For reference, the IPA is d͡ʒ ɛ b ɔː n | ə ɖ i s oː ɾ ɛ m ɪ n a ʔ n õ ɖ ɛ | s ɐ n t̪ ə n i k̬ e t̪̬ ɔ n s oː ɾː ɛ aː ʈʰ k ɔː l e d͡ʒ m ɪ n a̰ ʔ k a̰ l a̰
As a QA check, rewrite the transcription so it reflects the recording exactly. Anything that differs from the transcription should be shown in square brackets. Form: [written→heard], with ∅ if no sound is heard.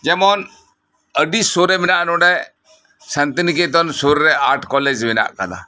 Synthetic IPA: d͡ʒ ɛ [b→m] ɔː n | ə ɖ i s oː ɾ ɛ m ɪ n a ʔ n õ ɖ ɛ | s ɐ n t̪ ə n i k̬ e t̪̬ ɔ n s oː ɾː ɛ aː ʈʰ k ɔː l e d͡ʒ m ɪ n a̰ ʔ k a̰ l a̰